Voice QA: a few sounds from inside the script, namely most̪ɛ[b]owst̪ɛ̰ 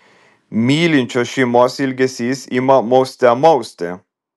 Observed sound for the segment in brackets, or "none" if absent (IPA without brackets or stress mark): m